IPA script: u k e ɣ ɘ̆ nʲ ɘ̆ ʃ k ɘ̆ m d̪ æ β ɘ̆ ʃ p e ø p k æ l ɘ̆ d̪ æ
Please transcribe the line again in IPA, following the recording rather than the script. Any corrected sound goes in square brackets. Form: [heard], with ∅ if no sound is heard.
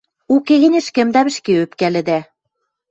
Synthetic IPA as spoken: u k e ɣ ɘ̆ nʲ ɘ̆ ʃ k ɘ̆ m d̪ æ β ɘ̆ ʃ [k] e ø p k æ l ɘ̆ d̪ æ